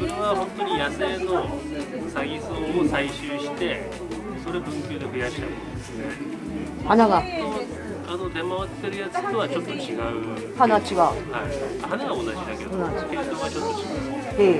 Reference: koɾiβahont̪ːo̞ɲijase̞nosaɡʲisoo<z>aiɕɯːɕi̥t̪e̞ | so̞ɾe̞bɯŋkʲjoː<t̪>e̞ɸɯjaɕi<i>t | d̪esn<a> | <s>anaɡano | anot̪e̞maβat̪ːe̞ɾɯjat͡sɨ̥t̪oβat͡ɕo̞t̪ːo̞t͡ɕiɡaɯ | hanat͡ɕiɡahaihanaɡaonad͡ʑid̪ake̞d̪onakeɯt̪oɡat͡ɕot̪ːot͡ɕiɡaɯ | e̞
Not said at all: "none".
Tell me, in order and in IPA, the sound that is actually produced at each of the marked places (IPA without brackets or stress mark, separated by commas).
s, d̪, a, e, h